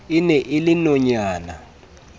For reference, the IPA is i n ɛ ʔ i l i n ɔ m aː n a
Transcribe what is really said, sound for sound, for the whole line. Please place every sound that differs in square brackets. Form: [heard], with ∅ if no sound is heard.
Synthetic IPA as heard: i n ɛ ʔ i l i n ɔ [ɲ] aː n a